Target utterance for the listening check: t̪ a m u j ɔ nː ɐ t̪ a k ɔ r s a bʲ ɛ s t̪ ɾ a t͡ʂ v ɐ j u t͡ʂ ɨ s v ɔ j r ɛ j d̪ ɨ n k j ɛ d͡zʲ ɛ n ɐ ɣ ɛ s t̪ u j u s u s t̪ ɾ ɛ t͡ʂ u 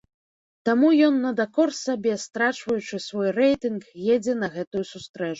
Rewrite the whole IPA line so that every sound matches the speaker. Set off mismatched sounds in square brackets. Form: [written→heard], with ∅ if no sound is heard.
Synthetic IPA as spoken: t̪ a m u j ɔ nː ɐ [t̪→d̪] a k ɔ r s a bʲ ɛ s t̪ ɾ a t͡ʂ v ɐ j u t͡ʂ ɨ s v ɔ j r ɛ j [d̪→t̪] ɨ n k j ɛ d͡zʲ ɛ n ɐ ɣ ɛ [s→∅] t̪ u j u s u s t̪ ɾ ɛ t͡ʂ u